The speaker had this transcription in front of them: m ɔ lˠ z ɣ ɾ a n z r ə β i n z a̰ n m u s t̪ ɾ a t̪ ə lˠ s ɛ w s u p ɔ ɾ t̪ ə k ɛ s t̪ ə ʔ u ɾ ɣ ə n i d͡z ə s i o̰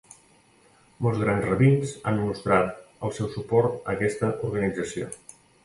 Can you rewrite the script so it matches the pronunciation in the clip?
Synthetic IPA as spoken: m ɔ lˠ z ɣ ɾ a n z r ə β i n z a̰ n m u s t̪ ɾ a t̪ ə lˠ s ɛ w s u p ɔ ɾ t̪ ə k ɛ s t̪ ə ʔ u ɾ ɣ ə n i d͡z ə s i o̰